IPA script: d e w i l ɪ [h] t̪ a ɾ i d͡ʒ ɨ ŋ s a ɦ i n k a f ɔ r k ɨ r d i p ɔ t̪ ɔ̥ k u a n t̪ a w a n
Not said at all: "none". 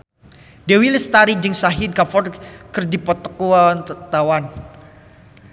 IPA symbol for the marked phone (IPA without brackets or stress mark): s